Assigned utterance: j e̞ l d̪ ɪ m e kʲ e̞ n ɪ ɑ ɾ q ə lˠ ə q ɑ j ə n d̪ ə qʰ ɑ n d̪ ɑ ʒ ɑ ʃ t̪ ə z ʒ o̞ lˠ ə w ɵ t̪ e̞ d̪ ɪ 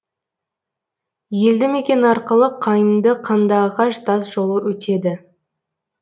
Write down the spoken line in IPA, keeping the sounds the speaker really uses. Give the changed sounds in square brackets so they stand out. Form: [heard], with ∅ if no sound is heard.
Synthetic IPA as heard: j e̞ l d̪ ɪ m e kʲ e̞ n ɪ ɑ ɾ q ə lˠ ə [qʰ] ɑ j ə n d̪ ə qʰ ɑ n d̪ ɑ [ʁ] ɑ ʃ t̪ [ɑ] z ʒ o̞ lˠ ə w ɵ t̪ e̞ d̪ ɪ